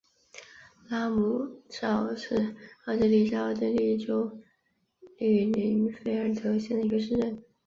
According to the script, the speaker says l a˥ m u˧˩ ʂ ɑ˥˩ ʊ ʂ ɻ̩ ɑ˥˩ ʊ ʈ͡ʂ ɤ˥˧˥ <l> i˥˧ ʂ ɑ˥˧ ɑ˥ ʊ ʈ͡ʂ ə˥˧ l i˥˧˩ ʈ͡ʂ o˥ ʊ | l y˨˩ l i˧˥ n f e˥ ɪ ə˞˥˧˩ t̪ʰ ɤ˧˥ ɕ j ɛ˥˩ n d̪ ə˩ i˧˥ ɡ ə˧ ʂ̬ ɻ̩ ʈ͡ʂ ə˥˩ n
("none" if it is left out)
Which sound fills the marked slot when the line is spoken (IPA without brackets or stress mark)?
l